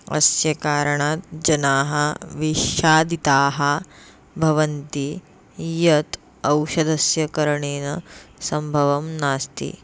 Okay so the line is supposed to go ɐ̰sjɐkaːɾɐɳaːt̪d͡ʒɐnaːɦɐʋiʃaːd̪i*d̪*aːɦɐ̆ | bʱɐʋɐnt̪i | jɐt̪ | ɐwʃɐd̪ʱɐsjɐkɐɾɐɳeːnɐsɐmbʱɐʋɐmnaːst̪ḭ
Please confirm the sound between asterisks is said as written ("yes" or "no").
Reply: no